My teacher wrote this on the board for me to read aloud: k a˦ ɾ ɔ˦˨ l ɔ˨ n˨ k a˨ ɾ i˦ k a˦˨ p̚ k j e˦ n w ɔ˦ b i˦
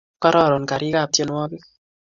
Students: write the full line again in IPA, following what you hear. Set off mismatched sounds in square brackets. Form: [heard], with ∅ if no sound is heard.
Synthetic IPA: k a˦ ɾ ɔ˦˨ [ɾ] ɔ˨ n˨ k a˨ ɾ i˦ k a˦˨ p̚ [t] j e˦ n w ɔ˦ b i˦